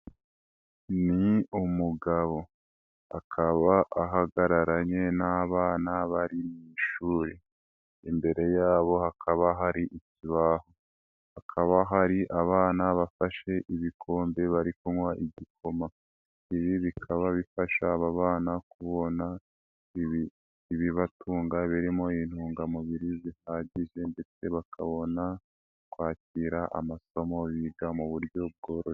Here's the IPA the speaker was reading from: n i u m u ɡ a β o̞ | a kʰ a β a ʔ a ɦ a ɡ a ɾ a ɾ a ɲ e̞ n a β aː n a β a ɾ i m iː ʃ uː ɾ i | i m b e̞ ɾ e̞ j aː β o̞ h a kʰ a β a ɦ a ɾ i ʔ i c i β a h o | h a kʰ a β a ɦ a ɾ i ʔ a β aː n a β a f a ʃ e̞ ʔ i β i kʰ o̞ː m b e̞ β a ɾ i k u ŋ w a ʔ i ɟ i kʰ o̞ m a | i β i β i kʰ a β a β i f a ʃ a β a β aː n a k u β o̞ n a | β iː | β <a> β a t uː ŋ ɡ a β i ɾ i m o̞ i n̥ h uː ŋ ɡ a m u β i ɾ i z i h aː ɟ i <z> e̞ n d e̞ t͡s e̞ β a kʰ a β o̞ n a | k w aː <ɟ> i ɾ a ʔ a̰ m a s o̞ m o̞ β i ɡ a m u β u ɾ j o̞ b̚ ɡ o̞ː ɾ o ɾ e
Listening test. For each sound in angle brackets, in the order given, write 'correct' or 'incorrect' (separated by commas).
incorrect, incorrect, incorrect